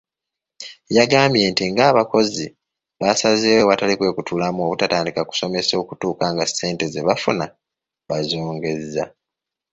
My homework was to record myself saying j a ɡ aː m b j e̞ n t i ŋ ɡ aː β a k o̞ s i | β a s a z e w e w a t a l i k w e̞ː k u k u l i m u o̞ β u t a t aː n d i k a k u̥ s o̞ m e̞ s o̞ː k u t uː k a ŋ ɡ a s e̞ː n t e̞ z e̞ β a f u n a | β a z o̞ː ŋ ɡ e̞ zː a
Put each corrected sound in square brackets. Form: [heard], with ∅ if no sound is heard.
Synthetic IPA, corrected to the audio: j a ɡ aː m b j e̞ n t i ŋ ɡ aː β a k o̞ [z] i | β a s a z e w e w a t a l i k w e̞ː k u [t] u l [a] m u o̞ β u t a t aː n d i k a k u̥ s o̞ m e̞ s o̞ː k u t uː k a ŋ ɡ a s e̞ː n t e̞ z e̞ β a f u n a | β a z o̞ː ŋ ɡ e̞ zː a